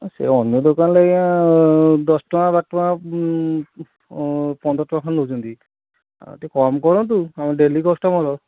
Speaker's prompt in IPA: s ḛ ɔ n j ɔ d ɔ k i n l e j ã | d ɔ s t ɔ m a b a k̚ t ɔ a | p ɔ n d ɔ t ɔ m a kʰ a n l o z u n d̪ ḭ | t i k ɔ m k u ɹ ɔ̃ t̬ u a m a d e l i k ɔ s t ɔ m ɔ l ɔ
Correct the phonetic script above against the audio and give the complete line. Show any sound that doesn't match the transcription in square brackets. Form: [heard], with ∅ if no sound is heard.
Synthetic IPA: s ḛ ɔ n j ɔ d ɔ k [a] n l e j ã | d ɔ s t ɔ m a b a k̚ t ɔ a | p ɔ n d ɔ t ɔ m a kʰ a n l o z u n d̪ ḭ | t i k ɔ m k [ɔ] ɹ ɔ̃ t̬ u a m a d e l i k ɔ s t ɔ m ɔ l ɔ